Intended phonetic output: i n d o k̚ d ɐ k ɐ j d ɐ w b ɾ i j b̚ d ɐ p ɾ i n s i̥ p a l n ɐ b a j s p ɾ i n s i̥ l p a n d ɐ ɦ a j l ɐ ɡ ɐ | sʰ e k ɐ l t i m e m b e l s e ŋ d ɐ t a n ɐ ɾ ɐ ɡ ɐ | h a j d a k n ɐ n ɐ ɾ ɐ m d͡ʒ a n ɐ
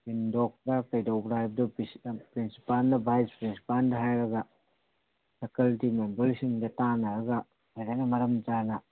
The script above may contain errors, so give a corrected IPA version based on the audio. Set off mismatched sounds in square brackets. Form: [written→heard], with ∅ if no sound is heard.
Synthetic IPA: i n d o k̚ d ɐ k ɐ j d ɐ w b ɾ [i→a] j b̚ d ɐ p ɾ i n s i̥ p a l n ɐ b a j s p ɾ i n s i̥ [l→∅] p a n d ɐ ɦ a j [l→ɾ] ɐ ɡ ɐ | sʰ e k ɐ l t i m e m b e l s [e→i] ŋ d ɐ t a n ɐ ɾ ɐ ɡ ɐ | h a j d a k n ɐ [n→m] ɐ ɾ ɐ m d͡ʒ a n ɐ